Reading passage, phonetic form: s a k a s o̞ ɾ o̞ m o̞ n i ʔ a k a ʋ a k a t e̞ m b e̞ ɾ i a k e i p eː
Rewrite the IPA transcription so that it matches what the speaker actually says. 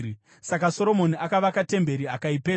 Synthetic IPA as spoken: s a k a s o̞ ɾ o̞ m o̞ n i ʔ a k a ʋ a k a t e̞ m b e̞ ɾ i a k a i p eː